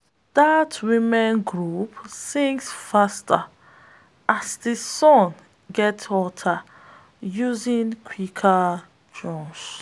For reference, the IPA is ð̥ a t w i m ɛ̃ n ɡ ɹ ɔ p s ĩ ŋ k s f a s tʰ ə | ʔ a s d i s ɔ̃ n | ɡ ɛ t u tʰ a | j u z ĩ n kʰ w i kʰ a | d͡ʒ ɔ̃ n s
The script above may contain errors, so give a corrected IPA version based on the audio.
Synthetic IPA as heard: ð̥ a t w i m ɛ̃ n ɡ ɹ u p s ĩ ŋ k s f a s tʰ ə | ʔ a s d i s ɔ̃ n | ɡ ɛ t ɔ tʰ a | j u z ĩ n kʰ w i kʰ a | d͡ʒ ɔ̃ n s

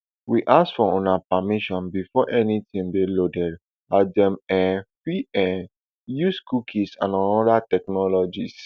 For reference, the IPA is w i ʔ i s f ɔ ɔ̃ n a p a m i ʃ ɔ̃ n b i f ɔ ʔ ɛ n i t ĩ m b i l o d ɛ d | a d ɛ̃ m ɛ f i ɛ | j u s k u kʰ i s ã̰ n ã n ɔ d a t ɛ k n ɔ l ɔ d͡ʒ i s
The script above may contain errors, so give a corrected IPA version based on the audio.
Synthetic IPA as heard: w i ʔ a s f ɔ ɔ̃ n a p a m i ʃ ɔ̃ n b i f ɔ ʔ ɛ n i t ĩ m b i l o d ɛ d | a d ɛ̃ m ɛ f i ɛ | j u s k u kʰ i s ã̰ n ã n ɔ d a t ɛ k n ɔ l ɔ d͡ʒ i s

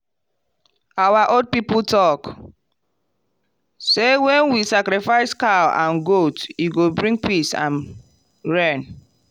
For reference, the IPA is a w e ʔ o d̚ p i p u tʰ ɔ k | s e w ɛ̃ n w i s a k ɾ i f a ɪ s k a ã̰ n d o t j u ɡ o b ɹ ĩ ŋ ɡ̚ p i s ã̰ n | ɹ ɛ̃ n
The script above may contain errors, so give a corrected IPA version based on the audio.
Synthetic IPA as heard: a w a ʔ o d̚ p i p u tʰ ɔ k | s e w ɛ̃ n w i s a k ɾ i f a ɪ s k a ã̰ n ɡ o t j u ɡ o b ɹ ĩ ŋ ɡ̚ p i s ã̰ n | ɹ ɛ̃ n

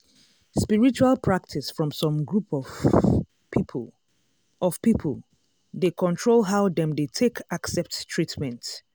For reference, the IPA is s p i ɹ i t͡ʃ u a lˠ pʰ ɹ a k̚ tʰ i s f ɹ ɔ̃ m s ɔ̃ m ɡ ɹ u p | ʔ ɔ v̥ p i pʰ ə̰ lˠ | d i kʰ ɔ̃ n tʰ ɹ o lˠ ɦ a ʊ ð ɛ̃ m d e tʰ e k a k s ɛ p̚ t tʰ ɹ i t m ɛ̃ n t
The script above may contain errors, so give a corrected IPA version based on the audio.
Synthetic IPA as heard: s p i ɹ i t͡ʃ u a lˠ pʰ ɹ a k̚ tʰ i s f ɹ ɔ̃ m s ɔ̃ m ɡ ɹ u p | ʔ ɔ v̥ p i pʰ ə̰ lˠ | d e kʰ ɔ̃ n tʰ ɹ o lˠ ɦ a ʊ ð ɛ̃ m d e tʰ e k a k s ɛ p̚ t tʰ ɹ i t m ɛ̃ n t

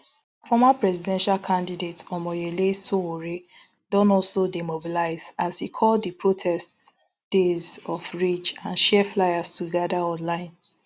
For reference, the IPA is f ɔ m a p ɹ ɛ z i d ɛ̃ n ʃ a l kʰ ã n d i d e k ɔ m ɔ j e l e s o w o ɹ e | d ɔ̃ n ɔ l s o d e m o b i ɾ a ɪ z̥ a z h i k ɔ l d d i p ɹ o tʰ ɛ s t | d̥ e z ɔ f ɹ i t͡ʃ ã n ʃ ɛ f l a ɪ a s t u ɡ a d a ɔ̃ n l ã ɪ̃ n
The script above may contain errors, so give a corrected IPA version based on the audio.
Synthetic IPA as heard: f ɔ m a p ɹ ɛ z i d ɛ̃ n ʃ a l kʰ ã n d i d e t ɔ m ɔ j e l e s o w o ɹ e | d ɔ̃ n ɔ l s o d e m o b i l a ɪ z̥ a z h i kʰ ɔ l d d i p ɹ o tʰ ɛ s t | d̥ e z ɔ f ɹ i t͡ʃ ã n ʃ ɛ f l a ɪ a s t u ɡ a d a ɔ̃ n l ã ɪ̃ n

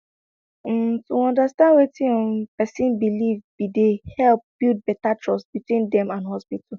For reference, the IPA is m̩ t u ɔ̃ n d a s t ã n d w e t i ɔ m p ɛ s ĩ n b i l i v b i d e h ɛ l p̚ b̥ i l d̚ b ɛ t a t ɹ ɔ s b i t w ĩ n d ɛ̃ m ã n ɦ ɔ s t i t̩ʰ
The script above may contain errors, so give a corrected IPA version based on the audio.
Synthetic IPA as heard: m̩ t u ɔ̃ n d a s t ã n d w e t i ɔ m p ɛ s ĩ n b i l i v b i d e h ɛ l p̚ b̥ i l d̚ b ɛ t a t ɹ ɔ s b i t w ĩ n d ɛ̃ m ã n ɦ ɔ s p i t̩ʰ

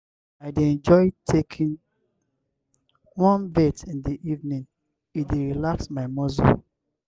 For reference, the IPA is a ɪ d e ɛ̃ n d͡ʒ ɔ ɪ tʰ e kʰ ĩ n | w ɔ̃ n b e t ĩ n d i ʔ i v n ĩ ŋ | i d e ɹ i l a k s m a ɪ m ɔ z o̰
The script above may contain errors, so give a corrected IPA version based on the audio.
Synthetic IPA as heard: a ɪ d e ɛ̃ n d͡ʒ ɔ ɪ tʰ e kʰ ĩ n | w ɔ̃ n b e t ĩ n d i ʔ i v n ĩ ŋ | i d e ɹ i l a k s m a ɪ m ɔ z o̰

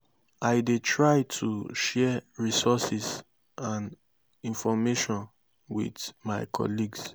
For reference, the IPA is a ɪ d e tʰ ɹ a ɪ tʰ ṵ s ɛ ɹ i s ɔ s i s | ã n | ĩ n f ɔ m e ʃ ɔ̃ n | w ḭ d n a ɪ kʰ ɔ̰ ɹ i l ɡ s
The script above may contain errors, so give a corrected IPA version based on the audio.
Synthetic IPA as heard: a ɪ d e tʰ ɹ a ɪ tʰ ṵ ʃ ɛ ɹ i s ɔ s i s | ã n | ĩ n f ɔ m e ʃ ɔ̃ n | w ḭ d m a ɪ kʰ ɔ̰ l i ɡ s

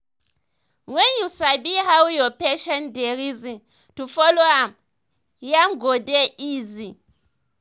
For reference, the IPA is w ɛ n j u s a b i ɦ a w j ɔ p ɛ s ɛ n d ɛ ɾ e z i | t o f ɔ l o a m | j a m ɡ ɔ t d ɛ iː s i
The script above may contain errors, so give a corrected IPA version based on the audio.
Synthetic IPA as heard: w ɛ n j u s a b i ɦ a w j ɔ p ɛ ʃ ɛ n d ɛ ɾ i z i | t u f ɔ l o a m | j a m ɡ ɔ d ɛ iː z i

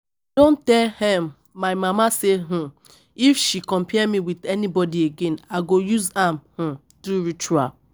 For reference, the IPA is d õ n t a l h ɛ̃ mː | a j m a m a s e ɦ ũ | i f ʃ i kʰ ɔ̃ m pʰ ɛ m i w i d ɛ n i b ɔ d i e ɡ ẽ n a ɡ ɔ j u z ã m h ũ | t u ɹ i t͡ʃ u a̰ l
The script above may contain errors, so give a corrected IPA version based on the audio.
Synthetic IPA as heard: d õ n t ɛ l h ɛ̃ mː | a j m a m a s e ɦ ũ | i f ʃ i k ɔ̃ m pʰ ɛ m i w i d ɛ n i b ɔ d i e ɡ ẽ n a ɡ o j u z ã m h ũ | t u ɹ i t͡ʃ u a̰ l

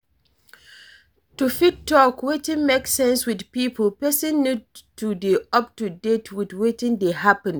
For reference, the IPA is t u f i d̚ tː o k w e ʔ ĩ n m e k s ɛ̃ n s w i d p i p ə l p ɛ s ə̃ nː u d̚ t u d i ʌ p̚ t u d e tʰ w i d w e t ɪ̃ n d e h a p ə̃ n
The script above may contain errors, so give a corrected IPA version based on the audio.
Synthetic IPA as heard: t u f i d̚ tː ɔ k w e t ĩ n m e k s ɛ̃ n s w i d p i p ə l p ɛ s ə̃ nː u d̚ t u d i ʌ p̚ t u d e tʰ w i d w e t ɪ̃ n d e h a p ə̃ n

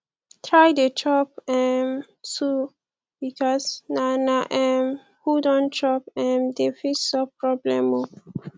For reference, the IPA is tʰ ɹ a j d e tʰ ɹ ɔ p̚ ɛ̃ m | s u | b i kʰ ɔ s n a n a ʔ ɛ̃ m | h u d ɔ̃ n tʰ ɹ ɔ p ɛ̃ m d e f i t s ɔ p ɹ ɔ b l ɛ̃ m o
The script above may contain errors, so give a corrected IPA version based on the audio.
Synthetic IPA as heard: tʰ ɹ a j d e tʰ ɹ ɔ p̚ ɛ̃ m | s u | b i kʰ ɔ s n a n a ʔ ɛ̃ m | h u d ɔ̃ n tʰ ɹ ɔ p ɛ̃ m d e f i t s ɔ p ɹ ɔ b l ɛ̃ m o

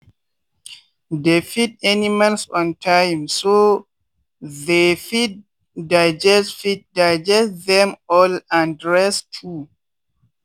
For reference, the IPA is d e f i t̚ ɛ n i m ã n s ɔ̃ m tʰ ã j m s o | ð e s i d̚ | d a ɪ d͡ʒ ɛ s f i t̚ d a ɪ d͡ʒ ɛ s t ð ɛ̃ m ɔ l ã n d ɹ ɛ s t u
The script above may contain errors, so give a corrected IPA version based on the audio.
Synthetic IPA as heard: d e f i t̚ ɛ n i m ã n s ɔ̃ n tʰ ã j m s o | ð e f i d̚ | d a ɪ d͡ʒ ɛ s f i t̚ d a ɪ d͡ʒ ɛ s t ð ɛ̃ m ɔ l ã n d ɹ ɛ s tʰ u

